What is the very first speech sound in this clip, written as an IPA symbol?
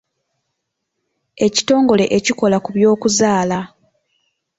e̞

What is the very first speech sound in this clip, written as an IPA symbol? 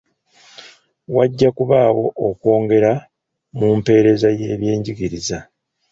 w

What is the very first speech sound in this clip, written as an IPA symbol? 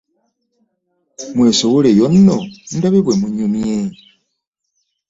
m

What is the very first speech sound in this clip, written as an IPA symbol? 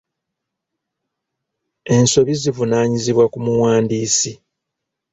e̞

